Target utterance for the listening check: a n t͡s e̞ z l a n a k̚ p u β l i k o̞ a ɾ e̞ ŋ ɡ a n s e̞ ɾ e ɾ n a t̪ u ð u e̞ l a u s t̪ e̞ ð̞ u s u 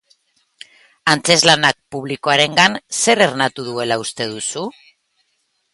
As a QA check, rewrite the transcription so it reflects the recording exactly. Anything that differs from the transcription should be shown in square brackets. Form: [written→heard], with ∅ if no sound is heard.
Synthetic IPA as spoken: a n t͡s e̞ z l a n a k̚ p u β l i k o̞ a ɾ e̞ ŋ ɡ a n s e̞ ɾ e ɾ n a t̪ u ð u e̞ l a u s t̪ e̞ ð̞ u s u